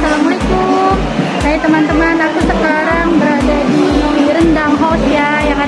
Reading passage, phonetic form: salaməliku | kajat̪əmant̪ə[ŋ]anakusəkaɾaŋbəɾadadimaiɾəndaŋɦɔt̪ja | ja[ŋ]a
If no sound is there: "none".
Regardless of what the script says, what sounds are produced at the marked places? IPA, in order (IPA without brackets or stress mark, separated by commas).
m, ŋ